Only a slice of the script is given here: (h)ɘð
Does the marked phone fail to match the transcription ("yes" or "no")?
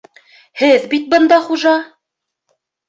no